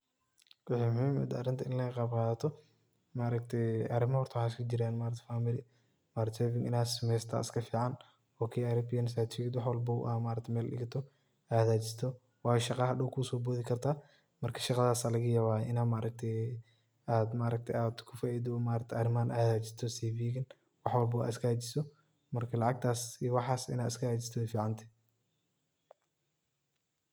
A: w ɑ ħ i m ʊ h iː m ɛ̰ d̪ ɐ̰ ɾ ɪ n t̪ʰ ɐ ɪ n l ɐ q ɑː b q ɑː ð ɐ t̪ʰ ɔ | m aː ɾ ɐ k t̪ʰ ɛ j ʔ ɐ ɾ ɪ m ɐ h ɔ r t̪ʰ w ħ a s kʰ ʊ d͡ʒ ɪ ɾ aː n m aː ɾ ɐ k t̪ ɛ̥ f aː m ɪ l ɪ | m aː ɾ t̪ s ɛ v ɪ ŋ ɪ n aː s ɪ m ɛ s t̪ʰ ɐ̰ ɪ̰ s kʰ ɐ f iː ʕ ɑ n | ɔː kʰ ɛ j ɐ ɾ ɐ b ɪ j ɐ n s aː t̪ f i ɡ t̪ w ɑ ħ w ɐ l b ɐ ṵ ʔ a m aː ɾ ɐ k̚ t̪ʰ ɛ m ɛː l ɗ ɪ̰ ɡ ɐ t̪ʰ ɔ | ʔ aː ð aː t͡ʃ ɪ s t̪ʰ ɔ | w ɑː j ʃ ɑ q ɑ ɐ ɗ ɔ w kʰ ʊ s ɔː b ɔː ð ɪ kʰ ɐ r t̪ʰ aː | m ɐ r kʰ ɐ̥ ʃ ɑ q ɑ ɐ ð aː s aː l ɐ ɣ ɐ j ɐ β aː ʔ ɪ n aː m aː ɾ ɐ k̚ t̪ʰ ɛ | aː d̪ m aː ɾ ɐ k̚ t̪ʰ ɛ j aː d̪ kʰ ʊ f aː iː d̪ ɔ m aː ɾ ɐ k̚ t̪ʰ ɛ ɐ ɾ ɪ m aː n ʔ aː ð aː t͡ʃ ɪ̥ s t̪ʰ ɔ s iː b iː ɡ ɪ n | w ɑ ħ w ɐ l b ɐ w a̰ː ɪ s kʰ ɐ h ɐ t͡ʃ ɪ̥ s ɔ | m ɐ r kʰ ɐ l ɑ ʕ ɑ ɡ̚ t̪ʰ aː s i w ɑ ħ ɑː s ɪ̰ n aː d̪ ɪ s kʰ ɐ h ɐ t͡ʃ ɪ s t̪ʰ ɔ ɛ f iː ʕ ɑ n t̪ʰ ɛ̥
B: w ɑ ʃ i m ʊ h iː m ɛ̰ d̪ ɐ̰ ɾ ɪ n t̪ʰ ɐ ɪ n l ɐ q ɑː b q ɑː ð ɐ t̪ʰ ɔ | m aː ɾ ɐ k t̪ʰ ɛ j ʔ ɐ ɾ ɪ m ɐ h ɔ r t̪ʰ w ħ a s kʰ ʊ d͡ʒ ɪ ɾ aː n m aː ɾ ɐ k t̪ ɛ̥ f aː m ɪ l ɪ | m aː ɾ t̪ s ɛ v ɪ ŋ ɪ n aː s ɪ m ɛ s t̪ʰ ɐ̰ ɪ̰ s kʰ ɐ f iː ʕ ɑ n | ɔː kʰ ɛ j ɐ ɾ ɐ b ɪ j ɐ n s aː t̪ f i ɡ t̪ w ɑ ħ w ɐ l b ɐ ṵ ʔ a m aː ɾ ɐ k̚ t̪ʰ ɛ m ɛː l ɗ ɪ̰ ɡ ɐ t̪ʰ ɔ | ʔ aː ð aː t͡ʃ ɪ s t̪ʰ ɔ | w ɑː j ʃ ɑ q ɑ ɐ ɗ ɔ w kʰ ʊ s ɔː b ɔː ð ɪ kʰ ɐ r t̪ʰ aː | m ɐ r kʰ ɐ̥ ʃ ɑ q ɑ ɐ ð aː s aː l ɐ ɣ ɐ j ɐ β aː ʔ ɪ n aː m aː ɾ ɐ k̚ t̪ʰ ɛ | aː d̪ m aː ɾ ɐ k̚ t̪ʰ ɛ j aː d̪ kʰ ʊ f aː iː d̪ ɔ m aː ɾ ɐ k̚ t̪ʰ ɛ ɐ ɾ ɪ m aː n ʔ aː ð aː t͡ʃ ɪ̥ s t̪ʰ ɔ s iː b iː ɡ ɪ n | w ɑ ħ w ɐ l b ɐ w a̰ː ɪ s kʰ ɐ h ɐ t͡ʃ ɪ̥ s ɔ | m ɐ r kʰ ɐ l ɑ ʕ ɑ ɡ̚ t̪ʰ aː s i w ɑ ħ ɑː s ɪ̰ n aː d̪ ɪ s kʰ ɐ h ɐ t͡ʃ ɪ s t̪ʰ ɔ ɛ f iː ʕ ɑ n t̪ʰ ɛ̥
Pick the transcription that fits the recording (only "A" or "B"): A